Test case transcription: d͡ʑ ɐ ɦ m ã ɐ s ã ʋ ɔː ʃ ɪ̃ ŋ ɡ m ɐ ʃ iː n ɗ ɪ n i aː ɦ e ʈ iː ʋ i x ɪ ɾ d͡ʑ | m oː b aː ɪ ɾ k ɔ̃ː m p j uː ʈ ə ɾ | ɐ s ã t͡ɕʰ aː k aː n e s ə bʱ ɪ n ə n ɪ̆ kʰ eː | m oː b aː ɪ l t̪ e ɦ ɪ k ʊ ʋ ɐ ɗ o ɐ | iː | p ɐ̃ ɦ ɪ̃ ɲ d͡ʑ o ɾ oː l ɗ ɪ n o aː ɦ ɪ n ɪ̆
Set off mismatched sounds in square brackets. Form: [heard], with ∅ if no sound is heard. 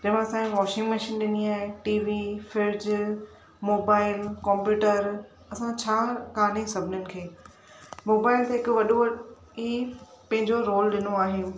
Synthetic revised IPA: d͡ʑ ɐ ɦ m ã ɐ s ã ʋ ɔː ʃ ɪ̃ ŋ ɡ m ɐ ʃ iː n ɗ ɪ n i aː ɦ e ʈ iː ʋ i [f] ɪ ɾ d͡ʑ | m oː b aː ɪ [l] k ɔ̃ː m p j uː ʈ ə ɾ | ɐ s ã t͡ɕʰ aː k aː n e s [ɐ] bʱ ɪ n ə n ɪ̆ kʰ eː | m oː b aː ɪ l t̪ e ɦ ɪ k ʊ ʋ ɐ ɗ o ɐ | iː | p ɐ̃ ɦ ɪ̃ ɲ d͡ʑ o ɾ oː l ɗ ɪ n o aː ɦ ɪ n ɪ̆